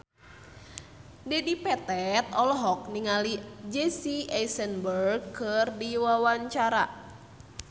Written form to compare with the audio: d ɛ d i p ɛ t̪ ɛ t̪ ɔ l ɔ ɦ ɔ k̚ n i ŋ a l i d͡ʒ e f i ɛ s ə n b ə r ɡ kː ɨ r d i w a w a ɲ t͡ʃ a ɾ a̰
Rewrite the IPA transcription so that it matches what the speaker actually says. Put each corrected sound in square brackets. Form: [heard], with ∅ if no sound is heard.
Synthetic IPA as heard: d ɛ d i p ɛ t̪ ɛ t̪ ɔ l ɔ ɦ ɔ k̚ n i ŋ a l i d͡ʒ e [s] i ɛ s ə n b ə r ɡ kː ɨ r d i w a w a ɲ t͡ʃ a ɾ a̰